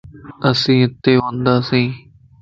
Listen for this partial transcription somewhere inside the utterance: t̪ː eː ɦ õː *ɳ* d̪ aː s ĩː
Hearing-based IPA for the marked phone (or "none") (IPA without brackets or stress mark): n